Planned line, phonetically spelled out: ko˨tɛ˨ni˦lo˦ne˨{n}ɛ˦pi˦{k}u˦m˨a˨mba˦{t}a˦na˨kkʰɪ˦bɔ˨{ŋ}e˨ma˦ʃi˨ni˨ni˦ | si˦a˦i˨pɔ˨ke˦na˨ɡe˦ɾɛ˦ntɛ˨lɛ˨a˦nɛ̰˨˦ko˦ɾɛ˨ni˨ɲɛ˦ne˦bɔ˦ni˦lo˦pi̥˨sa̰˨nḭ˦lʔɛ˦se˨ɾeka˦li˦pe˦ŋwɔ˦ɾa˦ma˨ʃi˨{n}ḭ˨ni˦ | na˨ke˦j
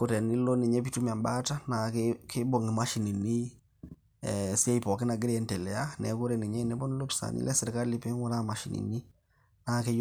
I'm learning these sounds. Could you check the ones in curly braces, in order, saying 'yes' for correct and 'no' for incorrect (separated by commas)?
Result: no, no, yes, yes, yes